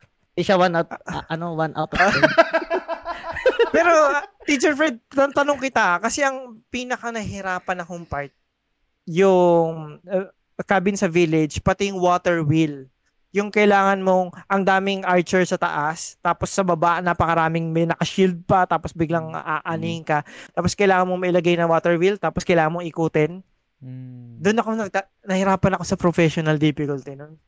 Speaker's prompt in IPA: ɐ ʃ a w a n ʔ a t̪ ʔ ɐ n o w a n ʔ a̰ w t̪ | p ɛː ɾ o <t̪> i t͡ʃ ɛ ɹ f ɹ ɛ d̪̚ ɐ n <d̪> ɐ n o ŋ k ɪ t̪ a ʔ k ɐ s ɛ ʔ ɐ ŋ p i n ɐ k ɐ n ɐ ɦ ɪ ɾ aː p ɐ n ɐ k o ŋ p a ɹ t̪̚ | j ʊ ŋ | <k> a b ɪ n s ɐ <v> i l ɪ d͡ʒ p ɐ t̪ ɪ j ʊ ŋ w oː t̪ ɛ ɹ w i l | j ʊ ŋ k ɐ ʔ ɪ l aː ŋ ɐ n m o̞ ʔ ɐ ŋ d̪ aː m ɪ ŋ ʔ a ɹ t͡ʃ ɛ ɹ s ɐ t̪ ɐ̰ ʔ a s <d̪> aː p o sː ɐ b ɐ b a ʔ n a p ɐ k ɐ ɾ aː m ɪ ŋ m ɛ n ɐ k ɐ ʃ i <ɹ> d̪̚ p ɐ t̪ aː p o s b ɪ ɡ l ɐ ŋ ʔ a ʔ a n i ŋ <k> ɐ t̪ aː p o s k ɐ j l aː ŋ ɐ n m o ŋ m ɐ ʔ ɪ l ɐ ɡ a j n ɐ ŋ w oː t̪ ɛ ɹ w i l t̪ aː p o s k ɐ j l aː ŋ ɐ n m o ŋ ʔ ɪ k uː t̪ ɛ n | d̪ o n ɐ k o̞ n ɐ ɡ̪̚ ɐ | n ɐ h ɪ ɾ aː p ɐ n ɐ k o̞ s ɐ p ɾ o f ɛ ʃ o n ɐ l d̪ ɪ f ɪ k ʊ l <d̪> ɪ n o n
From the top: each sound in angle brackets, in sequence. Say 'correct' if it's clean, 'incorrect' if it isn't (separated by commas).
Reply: correct, incorrect, correct, correct, incorrect, incorrect, correct, incorrect